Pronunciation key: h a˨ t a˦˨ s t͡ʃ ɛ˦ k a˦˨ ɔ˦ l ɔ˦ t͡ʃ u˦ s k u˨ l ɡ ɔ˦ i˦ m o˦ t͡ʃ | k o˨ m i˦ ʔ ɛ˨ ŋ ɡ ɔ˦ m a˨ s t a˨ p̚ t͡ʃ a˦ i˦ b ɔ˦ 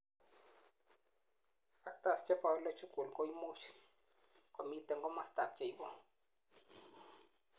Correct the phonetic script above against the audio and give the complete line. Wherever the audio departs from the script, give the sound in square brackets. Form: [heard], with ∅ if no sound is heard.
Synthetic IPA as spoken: [f] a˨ t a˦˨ s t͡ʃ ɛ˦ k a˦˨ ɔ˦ l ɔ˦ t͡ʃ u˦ [∅] k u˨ l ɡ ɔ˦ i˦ m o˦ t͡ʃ | k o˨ m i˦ [t] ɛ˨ ŋ ɡ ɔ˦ m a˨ s t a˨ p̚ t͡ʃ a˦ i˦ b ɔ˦